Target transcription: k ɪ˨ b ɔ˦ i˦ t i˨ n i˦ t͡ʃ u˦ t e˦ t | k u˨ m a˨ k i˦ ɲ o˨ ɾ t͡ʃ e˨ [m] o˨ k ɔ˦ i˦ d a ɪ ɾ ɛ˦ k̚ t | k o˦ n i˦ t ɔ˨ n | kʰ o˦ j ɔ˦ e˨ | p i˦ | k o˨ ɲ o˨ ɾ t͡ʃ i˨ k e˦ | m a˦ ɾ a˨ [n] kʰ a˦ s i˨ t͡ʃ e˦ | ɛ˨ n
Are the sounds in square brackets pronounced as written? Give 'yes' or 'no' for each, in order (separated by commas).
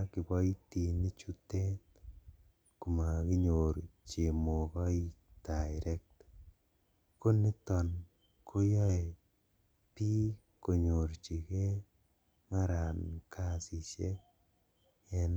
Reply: yes, yes